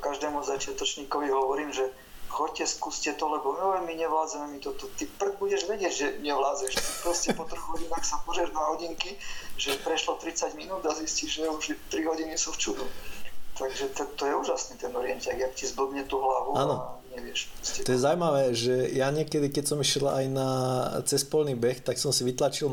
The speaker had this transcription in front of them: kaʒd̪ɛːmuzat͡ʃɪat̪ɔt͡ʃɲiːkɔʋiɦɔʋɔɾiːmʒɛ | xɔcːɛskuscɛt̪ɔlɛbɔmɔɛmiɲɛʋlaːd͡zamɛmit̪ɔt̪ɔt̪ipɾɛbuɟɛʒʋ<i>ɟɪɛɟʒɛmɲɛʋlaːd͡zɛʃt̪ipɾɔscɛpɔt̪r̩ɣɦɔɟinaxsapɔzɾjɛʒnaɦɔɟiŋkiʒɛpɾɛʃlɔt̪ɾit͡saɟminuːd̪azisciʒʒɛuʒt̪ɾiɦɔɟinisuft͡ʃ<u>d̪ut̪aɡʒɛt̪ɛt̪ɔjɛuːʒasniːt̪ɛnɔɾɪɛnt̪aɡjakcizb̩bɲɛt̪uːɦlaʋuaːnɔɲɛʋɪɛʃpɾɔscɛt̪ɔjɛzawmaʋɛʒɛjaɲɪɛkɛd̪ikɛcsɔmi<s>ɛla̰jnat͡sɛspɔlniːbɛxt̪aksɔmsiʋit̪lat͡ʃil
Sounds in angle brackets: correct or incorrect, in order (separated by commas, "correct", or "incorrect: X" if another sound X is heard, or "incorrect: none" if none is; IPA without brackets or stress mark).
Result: incorrect: ɛ, correct, incorrect: ʃ